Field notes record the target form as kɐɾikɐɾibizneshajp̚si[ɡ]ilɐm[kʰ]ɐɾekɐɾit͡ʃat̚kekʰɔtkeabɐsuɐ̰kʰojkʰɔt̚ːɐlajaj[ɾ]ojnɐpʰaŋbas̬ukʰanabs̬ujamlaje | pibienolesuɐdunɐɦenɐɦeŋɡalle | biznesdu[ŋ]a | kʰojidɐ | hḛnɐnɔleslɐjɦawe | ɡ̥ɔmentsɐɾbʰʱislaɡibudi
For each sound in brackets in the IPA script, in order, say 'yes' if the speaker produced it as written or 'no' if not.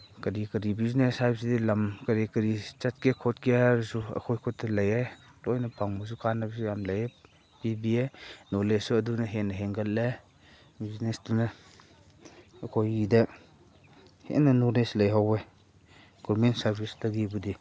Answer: no, no, no, no

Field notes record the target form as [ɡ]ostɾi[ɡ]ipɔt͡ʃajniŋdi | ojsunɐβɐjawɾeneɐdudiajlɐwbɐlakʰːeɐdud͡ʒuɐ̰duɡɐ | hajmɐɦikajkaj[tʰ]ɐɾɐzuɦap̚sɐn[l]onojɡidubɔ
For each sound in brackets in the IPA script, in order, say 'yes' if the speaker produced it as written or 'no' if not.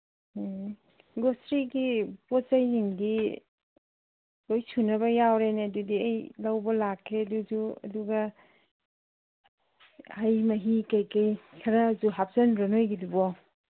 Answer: yes, yes, no, no

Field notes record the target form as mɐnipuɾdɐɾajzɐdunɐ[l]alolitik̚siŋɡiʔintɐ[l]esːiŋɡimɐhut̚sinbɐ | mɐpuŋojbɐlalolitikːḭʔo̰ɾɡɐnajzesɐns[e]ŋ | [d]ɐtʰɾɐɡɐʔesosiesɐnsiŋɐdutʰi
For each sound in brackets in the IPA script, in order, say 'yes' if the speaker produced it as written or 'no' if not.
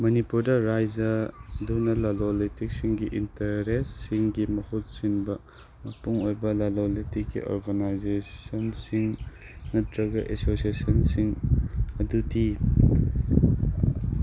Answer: yes, no, no, no

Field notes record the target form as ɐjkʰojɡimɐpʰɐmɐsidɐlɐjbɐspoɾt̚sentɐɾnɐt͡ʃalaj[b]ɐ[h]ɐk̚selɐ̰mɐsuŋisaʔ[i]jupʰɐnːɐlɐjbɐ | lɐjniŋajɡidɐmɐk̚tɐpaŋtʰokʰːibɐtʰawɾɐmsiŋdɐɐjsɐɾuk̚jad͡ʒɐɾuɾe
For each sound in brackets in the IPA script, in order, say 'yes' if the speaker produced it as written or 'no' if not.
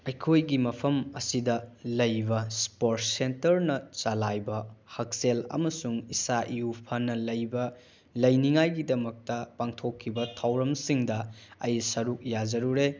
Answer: yes, yes, yes

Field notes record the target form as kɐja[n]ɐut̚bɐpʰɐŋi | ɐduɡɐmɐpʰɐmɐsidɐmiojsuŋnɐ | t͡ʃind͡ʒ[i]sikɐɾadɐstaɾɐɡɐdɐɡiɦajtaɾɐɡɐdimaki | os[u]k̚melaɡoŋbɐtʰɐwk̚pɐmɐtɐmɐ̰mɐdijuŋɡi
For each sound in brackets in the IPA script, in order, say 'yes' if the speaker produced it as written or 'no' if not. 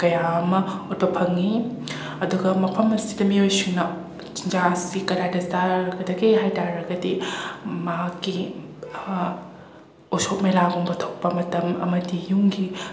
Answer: no, no, no

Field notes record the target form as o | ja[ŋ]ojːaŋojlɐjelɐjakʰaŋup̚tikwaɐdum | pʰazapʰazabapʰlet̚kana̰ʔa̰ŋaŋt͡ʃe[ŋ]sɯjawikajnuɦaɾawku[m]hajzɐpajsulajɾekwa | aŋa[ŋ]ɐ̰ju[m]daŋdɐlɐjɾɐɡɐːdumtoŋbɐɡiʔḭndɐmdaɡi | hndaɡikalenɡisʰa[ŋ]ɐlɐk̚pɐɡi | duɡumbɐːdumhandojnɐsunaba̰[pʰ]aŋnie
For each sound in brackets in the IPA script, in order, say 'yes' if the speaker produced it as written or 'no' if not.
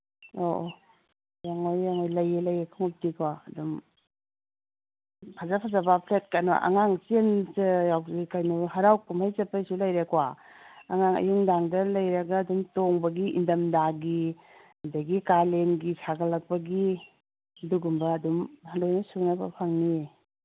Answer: yes, no, yes, yes, no, no, yes

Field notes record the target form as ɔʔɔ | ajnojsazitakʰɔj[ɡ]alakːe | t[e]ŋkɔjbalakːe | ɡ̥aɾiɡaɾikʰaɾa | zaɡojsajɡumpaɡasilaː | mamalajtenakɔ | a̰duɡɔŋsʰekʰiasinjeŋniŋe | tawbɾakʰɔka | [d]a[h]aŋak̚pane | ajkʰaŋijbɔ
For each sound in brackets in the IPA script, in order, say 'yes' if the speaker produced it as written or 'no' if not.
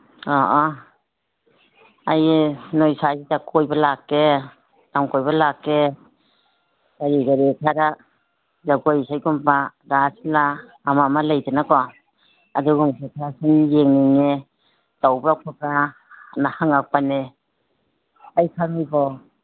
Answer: no, no, no, yes

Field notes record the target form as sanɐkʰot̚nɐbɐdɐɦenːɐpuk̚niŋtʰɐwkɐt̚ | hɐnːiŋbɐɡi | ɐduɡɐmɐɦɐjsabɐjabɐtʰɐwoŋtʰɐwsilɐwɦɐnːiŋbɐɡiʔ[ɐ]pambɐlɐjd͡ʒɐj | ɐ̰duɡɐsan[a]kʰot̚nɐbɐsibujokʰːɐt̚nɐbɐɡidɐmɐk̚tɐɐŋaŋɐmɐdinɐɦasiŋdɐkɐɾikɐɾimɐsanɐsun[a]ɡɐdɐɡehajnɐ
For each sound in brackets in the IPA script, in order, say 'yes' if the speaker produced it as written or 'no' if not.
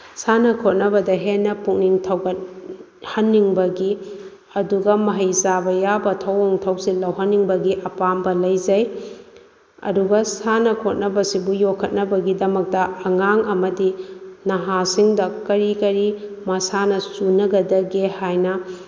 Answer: yes, no, no

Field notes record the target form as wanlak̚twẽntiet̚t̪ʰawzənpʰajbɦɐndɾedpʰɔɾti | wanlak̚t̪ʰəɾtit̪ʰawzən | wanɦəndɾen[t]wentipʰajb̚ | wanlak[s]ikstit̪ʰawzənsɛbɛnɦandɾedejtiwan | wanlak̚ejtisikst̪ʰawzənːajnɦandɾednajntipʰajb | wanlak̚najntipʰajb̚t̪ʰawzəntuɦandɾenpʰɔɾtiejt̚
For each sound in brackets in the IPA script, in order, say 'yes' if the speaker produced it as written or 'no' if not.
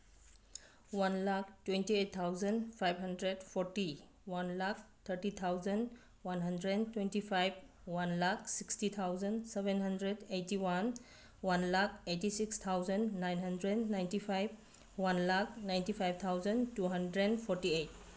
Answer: yes, yes

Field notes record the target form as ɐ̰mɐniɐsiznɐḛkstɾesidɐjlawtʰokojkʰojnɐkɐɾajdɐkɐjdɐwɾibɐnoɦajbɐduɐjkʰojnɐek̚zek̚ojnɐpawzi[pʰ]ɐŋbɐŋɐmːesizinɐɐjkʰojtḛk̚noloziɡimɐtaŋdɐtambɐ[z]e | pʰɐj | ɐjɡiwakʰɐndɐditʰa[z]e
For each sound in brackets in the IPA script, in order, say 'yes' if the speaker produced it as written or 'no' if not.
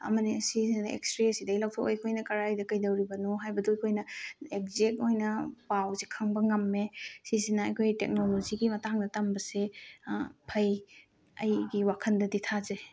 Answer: no, no, yes

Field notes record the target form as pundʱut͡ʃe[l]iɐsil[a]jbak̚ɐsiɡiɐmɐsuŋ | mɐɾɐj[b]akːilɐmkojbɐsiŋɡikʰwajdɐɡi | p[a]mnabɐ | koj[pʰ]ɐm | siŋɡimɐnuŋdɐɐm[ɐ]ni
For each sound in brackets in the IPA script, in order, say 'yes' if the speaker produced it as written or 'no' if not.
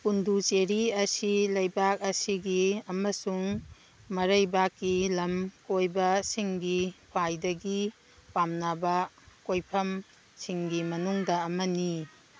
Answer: no, no, yes, yes, yes, yes

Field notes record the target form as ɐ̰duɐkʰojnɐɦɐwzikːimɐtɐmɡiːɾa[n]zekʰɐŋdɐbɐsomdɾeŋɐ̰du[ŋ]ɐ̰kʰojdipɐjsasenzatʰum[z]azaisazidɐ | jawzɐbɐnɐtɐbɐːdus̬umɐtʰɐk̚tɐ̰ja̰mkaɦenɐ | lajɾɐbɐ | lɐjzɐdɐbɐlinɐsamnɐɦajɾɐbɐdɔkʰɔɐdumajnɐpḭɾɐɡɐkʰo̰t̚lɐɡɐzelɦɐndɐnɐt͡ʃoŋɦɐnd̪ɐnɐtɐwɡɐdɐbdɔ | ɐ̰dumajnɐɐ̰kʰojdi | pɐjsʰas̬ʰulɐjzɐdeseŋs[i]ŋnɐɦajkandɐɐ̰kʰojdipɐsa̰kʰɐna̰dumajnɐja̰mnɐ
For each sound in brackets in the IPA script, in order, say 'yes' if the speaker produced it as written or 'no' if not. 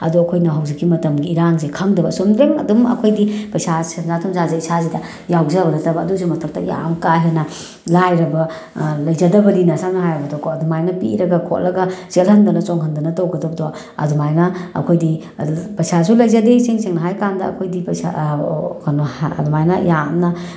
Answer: no, no, yes, no

